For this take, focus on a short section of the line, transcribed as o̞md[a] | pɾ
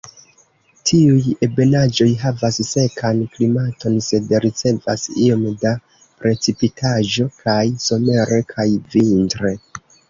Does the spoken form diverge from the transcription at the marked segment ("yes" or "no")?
no